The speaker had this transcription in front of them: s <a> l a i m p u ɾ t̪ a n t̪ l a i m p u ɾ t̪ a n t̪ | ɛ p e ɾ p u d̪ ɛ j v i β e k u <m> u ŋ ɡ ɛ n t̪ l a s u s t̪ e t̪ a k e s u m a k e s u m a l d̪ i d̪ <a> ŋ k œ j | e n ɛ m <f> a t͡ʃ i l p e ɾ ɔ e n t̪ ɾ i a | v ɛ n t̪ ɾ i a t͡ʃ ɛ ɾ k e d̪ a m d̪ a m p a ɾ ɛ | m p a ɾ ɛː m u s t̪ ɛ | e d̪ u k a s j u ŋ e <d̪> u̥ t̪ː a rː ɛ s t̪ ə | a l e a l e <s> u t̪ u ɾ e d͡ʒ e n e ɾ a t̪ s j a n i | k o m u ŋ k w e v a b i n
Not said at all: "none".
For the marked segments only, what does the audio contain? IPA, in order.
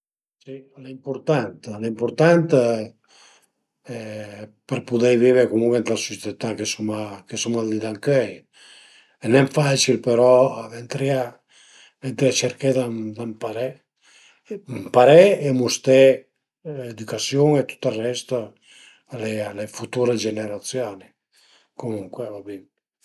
i, m, a, f, t̪, f

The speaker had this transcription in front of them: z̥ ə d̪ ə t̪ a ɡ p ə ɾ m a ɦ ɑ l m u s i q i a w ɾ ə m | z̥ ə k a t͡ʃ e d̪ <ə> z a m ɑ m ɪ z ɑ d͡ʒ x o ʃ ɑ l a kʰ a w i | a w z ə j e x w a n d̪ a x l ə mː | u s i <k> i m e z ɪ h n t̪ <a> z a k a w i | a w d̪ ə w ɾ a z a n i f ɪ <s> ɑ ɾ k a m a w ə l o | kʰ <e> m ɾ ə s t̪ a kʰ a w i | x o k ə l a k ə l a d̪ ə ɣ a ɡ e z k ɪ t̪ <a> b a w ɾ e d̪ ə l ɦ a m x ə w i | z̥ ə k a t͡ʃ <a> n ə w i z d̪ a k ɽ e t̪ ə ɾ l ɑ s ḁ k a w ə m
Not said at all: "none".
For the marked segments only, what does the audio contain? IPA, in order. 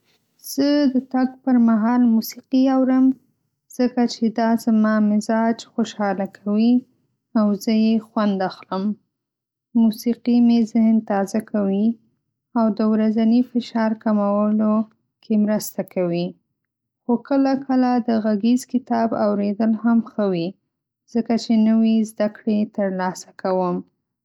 ɑ, q, ɑ, ʃ, e, ɑ, e

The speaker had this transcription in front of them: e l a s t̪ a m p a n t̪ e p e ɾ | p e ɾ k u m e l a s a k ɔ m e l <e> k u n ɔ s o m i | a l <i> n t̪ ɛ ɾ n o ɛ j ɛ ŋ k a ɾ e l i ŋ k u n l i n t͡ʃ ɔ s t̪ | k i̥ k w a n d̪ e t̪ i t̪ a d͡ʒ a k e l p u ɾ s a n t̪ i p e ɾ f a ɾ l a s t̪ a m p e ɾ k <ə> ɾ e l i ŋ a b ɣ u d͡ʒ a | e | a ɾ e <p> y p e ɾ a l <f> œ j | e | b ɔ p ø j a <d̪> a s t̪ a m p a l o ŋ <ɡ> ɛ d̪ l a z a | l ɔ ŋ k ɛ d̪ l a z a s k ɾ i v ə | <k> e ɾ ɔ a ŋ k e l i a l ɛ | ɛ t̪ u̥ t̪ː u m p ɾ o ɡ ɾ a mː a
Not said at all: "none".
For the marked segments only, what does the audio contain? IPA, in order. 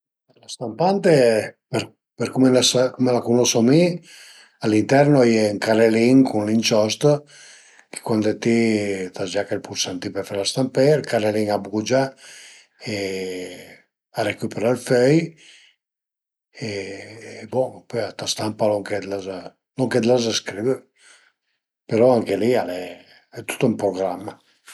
a, i, a, k, f, t̪, k, p

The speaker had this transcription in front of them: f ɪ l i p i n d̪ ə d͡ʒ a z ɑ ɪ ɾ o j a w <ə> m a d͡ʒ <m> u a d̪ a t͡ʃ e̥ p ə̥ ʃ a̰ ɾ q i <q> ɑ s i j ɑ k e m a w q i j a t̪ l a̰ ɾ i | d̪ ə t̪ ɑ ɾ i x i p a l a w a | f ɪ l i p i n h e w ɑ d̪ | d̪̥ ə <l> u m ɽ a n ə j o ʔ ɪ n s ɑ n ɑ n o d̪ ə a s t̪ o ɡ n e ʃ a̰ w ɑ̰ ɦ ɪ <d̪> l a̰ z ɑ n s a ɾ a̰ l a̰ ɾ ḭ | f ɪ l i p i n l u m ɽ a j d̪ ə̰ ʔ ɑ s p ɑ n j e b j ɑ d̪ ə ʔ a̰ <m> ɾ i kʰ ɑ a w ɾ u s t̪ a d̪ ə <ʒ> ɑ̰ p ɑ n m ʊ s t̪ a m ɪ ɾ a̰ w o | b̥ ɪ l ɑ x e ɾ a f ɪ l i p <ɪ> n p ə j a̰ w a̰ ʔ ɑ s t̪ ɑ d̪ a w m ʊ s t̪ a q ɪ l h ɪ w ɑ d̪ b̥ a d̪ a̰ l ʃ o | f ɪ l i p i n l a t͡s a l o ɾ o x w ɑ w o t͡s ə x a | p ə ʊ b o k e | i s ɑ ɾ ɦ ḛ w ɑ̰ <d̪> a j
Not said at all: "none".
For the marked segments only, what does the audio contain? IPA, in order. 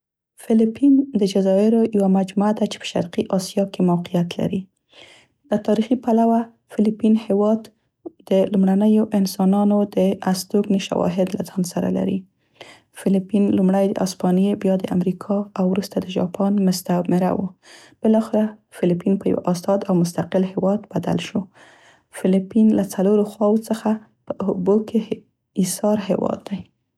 a, m, ʔ, l, d̪, m, ʒ, i, d̪ː

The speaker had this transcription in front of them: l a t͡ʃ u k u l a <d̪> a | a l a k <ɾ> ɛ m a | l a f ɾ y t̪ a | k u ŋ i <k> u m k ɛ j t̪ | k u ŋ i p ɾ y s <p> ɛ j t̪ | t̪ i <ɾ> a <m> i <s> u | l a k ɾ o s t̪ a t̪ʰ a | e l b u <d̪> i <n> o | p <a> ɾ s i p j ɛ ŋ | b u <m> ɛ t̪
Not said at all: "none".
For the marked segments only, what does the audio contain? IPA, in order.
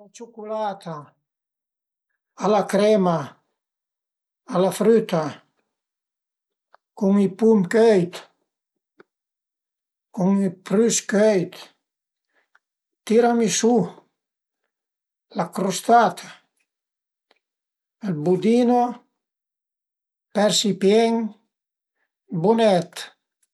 t̪, ɾ, p, k, ɾ, m, s, d̪, n, ɛ, n

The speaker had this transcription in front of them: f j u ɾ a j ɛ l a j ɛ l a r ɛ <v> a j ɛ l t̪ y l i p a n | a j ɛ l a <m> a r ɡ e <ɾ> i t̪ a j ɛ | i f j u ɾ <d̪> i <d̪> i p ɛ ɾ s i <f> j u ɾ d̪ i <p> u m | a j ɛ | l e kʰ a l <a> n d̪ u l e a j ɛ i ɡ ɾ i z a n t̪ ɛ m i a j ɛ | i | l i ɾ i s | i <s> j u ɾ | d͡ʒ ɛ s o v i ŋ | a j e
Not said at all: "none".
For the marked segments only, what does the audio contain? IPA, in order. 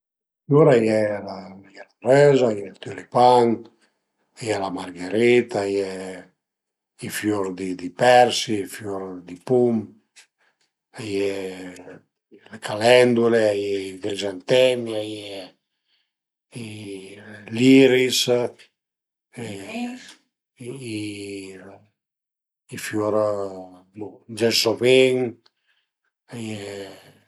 z, m, ɾ, d̪, d̪, f, p, ɛ, f

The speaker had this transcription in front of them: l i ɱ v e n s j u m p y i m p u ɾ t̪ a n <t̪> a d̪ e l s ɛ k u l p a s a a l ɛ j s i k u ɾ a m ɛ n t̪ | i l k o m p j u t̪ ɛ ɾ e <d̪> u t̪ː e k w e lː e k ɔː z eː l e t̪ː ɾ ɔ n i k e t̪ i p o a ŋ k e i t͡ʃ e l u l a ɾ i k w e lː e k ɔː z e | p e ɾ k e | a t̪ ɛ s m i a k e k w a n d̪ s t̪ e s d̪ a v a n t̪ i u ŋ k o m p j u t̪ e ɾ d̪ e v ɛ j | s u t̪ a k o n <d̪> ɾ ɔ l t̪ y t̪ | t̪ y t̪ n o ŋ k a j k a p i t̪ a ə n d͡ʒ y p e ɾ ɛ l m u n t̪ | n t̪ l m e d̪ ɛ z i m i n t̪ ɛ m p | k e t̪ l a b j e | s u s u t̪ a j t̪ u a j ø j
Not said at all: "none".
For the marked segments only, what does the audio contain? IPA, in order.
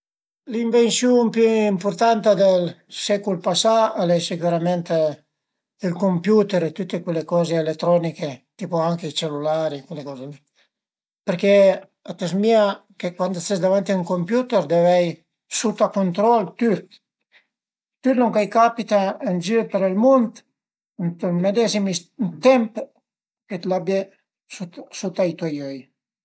t̪, t̪, t̪

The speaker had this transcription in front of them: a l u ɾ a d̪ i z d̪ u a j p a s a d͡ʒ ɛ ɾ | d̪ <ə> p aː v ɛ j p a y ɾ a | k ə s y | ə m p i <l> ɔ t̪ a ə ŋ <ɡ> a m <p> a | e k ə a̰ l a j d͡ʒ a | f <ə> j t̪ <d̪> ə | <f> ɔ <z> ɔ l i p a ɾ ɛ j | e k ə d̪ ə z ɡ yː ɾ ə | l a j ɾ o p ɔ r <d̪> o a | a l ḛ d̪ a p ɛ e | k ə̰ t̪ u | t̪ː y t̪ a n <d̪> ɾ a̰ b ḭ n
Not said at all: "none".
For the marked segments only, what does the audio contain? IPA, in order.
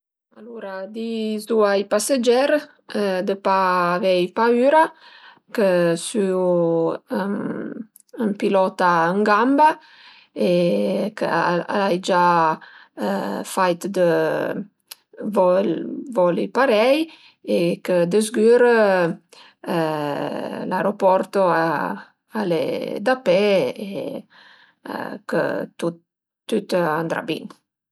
ə, l, ɡ, b, a, d̪, v, v, t̪, d̪

